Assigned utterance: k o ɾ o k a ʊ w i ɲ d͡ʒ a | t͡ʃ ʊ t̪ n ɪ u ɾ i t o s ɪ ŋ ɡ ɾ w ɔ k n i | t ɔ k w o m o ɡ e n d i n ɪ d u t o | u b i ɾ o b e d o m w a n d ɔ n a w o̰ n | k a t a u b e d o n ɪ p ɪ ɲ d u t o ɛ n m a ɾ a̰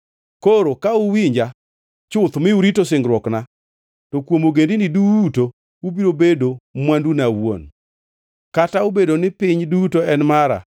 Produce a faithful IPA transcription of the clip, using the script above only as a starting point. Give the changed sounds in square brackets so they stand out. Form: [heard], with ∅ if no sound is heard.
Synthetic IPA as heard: k o ɾ o k a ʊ w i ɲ d͡ʒ a | t͡ʃ ʊ t̪ [m] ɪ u ɾ i t o s ɪ ŋ ɡ ɾ w ɔ k n [a] | t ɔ k w o m o ɡ e n d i n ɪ d u t o | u b i ɾ o b e d o m w a n d [u] n a w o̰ n | k a t a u b e d o n ɪ p ɪ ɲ d u t o ɛ n m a ɾ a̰

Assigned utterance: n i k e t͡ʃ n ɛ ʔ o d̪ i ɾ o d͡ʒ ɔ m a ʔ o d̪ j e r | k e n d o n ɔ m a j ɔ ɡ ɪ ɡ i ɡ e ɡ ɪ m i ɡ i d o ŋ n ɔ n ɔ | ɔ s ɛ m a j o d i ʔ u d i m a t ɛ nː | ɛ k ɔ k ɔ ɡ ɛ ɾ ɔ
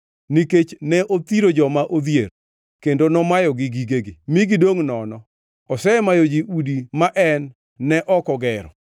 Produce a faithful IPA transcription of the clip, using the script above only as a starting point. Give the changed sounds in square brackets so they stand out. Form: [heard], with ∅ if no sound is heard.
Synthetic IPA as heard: n i k e t͡ʃ n ɛ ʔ o [t̪] i ɾ o d͡ʒ ɔ m a ʔ o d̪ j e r | k e n d o n ɔ m a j ɔ ɡ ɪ ɡ i ɡ e ɡ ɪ m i ɡ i d o ŋ n ɔ n ɔ | ɔ s ɛ m a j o [d͡ʒ] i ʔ u d i m a [ʔ] ɛ nː | ɛ [ʔ] ɔ k ɔ ɡ ɛ ɾ ɔ

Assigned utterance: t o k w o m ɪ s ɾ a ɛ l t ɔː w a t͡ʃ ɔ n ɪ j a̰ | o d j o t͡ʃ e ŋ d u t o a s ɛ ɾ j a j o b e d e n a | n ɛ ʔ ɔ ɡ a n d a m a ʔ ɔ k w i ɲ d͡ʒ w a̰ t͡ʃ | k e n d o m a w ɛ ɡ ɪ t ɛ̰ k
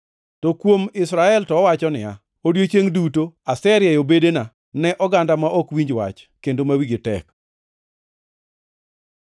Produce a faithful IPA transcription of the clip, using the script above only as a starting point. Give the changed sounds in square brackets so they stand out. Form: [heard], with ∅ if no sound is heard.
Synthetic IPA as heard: t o k w o m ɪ s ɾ a ɛ l t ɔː w a t͡ʃ ɔ n ɪ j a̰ | o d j o t͡ʃ e ŋ d u t o a s ɛ ɾ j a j o b e d e n a | n ɛ ʔ ɔ ɡ a n d a m a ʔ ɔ k w i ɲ d͡ʒ w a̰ t͡ʃ | k e n d o m a w [i] ɡ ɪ t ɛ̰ k

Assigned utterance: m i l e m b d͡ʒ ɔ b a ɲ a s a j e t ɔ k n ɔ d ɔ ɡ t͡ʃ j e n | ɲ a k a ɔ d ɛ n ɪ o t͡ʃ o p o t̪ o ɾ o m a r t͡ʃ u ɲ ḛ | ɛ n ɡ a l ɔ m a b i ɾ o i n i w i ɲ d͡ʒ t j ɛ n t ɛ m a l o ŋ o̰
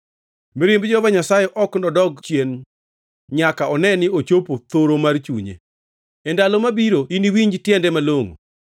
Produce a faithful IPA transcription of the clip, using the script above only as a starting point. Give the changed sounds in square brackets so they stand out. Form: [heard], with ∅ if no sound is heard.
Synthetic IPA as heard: m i [ɾ] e m b d͡ʒ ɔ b a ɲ a s a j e [ʔ] ɔ k n ɔ d ɔ ɡ t͡ʃ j e n | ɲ a k a ɔ [n] ɛ n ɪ o t͡ʃ o p o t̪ o ɾ o m a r t͡ʃ u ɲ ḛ | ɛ n [d] a l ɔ m a b i ɾ o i n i w i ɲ d͡ʒ t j ɛ n [d] ɛ m a l o ŋ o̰

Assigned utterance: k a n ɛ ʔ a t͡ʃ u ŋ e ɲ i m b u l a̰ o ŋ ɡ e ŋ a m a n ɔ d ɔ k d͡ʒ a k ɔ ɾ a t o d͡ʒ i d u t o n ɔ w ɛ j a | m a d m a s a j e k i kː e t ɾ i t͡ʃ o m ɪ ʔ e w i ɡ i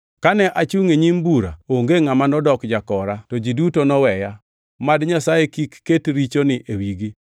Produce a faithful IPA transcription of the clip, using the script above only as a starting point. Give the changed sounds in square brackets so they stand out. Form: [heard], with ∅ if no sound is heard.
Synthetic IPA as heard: k a n ɛ ʔ a t͡ʃ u ŋ e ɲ i m b u [ɾ] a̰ o ŋ ɡ e ŋ a m a n ɔ d ɔ k d͡ʒ a k ɔ ɾ a t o d͡ʒ i d u t o n ɔ w ɛ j a | m a d [ɲ] a s a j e k i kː e t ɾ i t͡ʃ o [n] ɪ ʔ e w i ɡ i

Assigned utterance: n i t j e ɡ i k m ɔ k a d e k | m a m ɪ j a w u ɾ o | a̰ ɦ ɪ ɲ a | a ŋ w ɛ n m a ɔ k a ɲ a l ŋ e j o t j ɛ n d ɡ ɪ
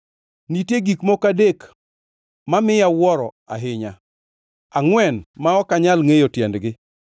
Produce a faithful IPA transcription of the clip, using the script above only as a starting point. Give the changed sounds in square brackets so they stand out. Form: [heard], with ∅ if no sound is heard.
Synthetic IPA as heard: n i t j e ɡ i k m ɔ k a d e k | m a m ɪ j a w [ɔ] ɾ [ɔ] | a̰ ɦ ɪ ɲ a | a ŋ w ɛ n m a ɔ k a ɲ a l ŋ e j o t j ɛ n d ɡ ɪ

